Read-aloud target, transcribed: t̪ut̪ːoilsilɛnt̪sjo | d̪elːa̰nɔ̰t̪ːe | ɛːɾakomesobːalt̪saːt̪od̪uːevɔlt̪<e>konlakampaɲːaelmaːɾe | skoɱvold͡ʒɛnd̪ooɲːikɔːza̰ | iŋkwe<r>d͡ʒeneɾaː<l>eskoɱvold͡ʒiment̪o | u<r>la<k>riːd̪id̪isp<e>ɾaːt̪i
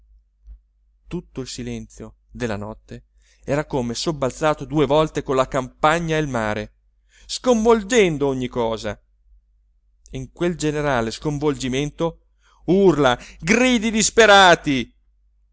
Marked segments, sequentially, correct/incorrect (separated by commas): correct, incorrect, correct, correct, incorrect, correct